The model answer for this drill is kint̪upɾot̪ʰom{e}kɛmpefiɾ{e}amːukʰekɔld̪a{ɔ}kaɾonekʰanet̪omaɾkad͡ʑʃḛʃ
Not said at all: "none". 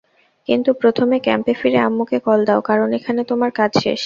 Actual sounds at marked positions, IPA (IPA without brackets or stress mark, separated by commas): e, e, o